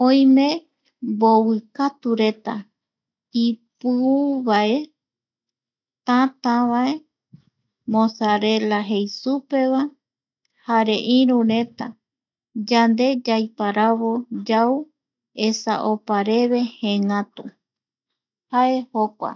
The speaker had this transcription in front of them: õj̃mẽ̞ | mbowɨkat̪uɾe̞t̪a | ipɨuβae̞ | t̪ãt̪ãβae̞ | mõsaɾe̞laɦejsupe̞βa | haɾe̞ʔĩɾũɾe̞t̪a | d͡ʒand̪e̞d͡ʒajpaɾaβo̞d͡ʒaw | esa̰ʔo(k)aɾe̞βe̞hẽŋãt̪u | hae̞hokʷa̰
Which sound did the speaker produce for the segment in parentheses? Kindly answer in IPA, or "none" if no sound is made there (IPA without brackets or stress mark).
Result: p